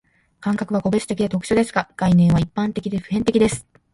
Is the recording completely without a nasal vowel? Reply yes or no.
no